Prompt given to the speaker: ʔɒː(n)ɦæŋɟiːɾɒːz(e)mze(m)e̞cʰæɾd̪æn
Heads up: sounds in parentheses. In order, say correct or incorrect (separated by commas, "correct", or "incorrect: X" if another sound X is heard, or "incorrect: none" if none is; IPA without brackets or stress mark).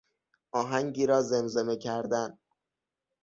incorrect: none, correct, correct